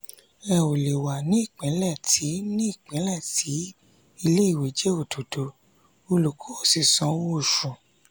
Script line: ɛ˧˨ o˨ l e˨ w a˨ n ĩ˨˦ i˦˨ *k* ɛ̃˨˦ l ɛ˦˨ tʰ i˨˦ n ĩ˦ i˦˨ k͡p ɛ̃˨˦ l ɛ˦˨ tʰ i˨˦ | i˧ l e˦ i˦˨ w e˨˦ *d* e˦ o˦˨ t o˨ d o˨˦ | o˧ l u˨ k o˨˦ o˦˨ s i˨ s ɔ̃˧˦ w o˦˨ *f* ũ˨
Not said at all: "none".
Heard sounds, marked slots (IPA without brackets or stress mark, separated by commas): k͡p, d͡ʒ, ʃ